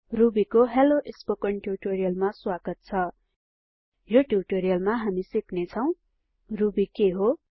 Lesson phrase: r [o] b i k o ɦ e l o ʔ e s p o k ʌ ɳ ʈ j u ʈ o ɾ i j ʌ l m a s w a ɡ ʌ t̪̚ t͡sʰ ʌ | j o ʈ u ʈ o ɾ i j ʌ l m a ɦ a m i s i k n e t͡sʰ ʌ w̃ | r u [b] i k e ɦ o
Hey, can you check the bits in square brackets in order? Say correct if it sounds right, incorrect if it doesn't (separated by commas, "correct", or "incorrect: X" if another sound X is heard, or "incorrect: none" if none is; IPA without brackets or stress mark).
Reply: incorrect: u, correct